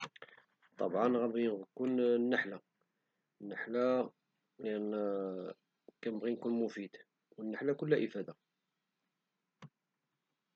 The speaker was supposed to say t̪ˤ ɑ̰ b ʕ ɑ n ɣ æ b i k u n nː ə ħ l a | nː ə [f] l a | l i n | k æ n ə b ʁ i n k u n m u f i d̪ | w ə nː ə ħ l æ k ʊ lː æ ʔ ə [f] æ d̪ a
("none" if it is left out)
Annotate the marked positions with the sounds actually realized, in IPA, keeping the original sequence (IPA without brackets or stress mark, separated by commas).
ħ, f